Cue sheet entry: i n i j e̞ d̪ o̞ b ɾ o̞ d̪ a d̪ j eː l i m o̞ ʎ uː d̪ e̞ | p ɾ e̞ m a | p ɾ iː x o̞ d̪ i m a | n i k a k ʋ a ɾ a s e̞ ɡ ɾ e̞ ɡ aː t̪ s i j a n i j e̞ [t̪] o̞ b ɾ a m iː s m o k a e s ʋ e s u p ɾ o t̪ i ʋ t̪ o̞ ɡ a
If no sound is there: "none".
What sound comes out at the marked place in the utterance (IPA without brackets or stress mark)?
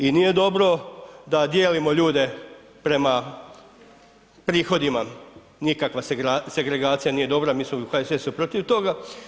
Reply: d̪